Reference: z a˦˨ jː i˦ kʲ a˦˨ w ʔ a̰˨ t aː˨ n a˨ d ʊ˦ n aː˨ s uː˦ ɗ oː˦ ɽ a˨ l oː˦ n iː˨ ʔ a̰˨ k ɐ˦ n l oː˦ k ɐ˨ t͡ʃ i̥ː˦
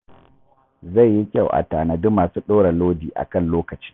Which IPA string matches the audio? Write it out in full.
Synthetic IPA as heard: z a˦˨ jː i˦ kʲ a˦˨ w ʔ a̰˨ t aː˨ n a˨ d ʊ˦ m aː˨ s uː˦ ɗ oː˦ ɽ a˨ l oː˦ d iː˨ ʔ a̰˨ k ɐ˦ n l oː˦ k ɐ˨ t͡ʃ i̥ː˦